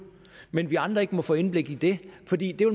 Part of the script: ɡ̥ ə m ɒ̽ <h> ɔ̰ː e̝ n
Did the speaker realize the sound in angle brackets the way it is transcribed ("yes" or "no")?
no